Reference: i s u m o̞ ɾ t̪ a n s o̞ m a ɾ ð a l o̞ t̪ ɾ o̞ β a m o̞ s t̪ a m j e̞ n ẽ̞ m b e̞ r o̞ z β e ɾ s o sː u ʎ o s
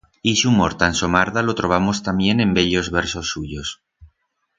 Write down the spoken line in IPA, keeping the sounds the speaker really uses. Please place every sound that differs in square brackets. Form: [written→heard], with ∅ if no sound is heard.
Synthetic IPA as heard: i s u m o̞ ɾ t̪ a n s o̞ m a ɾ ð a l o̞ t̪ ɾ o̞ β a m o̞ s t̪ a m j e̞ n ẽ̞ m b e̞ [r→ʎ] o̞ z β e ɾ s o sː u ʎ o s